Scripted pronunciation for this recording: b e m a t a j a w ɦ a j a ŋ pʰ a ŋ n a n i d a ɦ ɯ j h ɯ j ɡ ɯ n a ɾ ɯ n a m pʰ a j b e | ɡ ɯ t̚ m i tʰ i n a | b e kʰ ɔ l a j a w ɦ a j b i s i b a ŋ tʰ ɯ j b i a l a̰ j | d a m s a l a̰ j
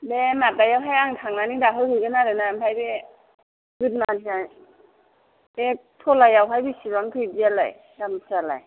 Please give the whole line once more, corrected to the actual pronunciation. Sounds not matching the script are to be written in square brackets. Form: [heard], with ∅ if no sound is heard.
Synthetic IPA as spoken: b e m a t a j a w ɦ a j a ŋ [tʰ] a ŋ n a n i d a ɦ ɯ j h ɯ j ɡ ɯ n a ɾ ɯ n a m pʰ a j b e | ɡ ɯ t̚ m [a] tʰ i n a | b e [tʰ] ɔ l a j a w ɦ a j b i s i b a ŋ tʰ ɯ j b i a l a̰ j | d a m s a l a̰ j